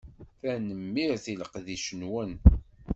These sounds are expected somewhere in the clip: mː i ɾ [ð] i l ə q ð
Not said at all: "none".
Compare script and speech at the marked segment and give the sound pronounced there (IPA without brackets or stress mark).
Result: θ